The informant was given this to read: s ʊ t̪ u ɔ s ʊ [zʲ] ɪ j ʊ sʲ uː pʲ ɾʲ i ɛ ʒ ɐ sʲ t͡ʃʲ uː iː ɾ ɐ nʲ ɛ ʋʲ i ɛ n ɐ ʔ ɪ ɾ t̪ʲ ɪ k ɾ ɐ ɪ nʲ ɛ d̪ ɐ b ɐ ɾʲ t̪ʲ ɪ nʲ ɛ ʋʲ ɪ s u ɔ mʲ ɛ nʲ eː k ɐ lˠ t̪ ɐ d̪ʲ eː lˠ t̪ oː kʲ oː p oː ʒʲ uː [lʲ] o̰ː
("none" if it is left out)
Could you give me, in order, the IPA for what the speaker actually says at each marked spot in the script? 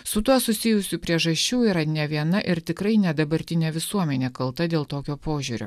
sʲ, ɾʲ

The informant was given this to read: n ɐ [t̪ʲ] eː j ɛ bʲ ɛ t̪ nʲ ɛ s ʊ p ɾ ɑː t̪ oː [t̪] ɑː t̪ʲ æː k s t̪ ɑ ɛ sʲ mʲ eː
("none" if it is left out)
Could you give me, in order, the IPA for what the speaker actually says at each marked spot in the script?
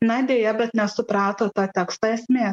d̪ʲ, t̪

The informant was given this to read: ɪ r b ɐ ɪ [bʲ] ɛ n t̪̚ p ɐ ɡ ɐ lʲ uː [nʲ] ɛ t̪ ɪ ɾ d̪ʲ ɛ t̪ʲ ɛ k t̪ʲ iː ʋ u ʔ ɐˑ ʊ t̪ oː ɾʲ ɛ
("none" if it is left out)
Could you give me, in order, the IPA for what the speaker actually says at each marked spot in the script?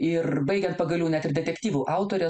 ɡʲ, nʲ

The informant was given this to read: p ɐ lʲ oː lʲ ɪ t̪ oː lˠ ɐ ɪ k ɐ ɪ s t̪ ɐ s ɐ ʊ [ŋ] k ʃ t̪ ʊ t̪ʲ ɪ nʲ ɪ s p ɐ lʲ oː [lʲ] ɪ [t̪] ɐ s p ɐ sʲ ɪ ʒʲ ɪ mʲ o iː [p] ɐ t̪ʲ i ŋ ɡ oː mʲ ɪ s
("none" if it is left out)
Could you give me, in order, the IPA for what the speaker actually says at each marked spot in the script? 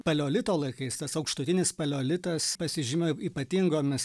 none, lʲ, t̪, p

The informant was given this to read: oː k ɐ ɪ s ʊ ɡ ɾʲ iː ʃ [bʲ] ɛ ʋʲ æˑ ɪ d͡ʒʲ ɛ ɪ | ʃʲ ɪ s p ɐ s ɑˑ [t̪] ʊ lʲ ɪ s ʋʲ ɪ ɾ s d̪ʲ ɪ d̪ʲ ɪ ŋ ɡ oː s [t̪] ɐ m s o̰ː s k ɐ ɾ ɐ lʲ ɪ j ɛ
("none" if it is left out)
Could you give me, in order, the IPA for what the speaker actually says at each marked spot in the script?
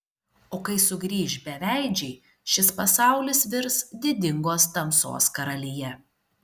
bʲ, none, t̪

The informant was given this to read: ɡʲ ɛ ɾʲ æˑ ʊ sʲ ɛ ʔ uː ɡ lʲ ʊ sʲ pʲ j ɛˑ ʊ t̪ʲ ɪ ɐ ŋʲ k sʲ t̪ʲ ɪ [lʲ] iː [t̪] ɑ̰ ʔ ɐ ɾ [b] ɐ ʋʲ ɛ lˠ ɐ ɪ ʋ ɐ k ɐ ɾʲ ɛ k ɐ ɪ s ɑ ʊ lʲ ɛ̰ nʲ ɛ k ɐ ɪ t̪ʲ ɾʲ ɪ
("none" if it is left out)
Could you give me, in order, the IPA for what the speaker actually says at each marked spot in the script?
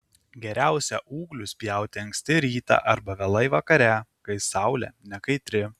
ɾʲ, t̪, b

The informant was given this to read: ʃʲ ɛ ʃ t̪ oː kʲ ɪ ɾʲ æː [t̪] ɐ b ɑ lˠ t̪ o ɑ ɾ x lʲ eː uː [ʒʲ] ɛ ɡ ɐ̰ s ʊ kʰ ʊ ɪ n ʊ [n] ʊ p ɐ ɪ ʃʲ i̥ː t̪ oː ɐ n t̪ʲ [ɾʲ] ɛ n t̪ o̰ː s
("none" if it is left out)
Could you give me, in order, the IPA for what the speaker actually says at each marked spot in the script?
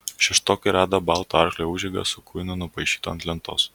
d̪, ʒʲ, n, lʲ

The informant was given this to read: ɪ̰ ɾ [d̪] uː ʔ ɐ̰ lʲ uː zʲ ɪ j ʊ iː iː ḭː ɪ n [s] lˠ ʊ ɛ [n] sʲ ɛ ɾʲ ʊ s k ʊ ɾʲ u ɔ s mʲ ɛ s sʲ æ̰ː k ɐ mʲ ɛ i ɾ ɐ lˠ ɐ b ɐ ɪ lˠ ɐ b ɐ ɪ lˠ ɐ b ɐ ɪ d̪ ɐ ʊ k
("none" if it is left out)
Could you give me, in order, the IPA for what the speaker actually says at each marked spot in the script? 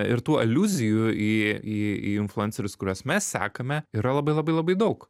t̪, f, n

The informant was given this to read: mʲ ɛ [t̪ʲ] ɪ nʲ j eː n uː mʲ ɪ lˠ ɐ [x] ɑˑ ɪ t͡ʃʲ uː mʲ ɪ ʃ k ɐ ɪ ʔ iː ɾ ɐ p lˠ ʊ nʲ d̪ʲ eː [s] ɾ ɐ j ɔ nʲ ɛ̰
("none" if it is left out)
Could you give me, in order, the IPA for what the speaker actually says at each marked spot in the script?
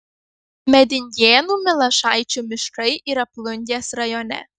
d̪ʲ, ʃ, s

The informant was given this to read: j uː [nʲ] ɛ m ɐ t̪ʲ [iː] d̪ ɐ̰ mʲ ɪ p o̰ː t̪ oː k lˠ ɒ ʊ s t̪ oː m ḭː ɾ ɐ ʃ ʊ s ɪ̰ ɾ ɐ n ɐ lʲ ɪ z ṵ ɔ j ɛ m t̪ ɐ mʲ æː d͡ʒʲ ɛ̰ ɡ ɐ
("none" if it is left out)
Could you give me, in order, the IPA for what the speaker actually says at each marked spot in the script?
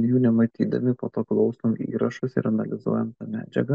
nʲ, iː

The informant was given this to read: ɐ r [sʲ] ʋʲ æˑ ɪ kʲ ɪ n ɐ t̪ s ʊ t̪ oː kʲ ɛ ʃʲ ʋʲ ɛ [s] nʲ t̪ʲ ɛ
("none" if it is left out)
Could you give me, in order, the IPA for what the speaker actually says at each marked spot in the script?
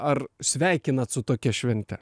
sʲ, none

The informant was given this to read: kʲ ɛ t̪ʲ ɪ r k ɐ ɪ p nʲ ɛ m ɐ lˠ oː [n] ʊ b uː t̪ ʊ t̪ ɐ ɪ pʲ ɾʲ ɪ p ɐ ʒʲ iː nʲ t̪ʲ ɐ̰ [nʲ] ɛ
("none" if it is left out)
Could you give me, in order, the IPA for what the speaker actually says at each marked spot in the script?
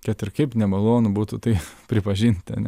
n, nʲ

